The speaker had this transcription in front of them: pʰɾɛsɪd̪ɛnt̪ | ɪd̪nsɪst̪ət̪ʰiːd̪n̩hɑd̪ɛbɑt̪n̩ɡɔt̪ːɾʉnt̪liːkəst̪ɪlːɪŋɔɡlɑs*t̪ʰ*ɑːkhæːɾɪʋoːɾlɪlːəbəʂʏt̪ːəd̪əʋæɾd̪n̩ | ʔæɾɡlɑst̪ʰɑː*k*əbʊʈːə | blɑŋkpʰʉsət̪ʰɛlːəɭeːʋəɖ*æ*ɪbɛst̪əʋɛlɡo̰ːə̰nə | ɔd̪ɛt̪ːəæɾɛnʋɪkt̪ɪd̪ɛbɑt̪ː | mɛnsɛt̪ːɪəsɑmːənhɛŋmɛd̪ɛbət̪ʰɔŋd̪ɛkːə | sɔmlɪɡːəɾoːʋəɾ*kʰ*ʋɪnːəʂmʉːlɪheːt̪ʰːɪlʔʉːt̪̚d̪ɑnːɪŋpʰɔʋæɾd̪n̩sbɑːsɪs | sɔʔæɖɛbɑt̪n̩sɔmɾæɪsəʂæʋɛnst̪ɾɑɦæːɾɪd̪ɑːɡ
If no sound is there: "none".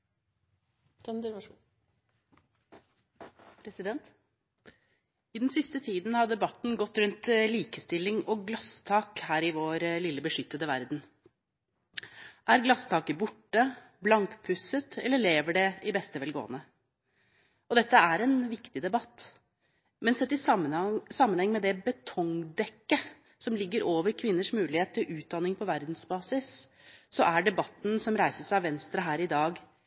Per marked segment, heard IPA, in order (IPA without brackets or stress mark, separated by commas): t̪ʰ, k, ɛ, kʰ